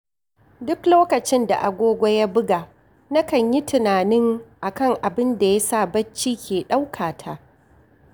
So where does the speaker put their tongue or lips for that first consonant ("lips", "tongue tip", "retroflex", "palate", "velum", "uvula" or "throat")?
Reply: tongue tip